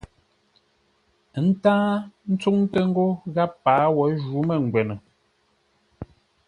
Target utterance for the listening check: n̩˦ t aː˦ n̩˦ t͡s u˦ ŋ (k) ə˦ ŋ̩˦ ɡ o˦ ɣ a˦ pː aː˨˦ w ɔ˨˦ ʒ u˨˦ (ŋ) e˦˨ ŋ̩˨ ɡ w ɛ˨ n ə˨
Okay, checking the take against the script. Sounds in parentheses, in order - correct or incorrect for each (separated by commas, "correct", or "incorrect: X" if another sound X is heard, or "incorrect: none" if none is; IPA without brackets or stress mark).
incorrect: t, incorrect: m